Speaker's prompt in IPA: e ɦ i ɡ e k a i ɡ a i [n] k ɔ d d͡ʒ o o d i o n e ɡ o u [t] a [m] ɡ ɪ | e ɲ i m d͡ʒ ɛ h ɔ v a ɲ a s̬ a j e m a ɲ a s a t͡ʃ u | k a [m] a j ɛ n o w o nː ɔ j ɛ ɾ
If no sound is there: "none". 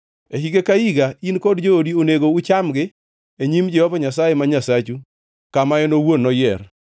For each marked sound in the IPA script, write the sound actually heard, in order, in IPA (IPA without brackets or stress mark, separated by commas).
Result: n, t͡ʃ, m, m